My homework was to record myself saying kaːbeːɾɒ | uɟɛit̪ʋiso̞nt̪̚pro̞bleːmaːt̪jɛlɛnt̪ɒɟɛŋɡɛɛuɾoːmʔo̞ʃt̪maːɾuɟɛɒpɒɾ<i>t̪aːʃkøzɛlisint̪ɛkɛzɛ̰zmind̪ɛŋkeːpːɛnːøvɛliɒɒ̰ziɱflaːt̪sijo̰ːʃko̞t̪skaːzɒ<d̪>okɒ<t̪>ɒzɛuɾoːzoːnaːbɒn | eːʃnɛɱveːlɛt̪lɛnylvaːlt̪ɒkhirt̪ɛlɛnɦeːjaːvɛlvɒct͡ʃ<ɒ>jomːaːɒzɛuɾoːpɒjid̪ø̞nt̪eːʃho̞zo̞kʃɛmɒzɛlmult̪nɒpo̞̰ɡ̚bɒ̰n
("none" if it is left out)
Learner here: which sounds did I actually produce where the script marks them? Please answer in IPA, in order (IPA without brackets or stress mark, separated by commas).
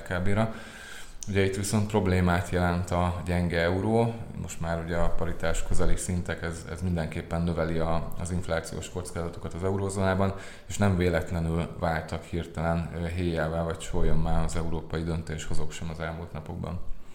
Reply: i, t̪, t̪, o